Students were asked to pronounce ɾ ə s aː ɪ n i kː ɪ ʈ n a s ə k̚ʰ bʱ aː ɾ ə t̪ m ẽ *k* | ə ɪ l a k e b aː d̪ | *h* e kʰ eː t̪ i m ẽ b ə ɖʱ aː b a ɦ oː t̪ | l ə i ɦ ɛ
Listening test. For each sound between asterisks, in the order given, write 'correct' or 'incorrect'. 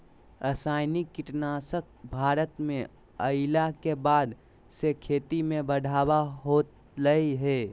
incorrect: none, incorrect: s

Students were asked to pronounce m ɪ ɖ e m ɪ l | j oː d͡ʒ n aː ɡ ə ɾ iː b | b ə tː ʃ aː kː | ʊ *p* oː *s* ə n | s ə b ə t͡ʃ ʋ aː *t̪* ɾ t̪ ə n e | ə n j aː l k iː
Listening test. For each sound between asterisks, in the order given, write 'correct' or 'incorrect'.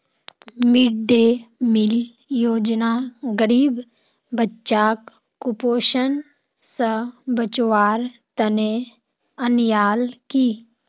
correct, incorrect: ʃ, incorrect: none

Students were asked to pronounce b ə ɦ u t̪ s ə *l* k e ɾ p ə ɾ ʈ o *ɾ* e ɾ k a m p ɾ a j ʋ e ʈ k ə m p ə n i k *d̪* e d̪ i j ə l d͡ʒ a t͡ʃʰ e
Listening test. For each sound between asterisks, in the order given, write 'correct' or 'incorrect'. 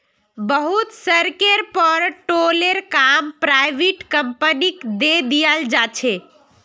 incorrect: ɾ, incorrect: l, correct

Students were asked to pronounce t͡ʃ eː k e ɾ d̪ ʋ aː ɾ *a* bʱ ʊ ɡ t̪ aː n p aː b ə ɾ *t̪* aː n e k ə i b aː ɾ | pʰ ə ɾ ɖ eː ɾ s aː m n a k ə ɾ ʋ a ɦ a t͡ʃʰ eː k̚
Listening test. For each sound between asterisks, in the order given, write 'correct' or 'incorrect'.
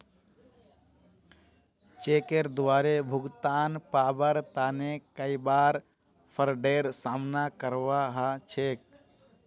incorrect: e, correct

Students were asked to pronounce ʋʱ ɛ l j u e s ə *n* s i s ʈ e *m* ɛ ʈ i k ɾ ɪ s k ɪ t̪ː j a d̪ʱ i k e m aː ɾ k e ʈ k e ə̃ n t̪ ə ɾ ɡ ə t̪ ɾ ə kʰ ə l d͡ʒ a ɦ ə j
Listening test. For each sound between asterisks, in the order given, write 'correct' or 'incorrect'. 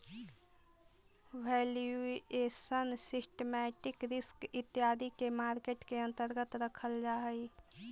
correct, correct

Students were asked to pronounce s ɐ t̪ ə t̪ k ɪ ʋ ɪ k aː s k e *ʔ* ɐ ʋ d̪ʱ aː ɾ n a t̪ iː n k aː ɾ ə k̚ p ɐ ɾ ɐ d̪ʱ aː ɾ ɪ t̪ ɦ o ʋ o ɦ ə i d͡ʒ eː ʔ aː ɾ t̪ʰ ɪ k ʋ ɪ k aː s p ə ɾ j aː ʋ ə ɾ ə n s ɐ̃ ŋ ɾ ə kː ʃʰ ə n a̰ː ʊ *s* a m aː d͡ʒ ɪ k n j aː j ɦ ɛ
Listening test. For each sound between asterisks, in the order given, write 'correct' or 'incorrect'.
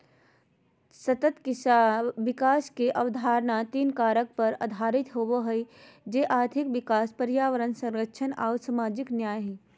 correct, correct

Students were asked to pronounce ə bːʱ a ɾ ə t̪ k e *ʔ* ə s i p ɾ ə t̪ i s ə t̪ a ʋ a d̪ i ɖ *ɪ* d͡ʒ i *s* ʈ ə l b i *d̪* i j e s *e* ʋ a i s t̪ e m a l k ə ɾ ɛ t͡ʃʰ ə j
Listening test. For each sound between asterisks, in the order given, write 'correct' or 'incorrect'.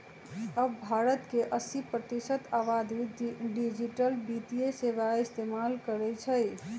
correct, incorrect: i, incorrect: none, incorrect: t̪, correct

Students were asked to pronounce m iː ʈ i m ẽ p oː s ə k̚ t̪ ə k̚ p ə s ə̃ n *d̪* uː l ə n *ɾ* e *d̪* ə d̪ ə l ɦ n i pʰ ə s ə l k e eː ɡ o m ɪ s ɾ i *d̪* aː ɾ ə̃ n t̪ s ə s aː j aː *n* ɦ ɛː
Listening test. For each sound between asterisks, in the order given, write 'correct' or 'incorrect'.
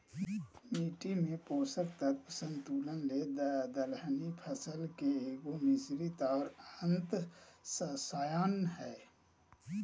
incorrect: t̪, incorrect: l, correct, incorrect: t̪, correct

